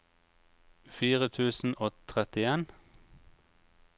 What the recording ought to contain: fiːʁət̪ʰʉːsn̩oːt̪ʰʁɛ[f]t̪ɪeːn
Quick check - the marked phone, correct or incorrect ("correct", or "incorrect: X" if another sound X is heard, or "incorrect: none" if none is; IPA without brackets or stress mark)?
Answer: incorrect: none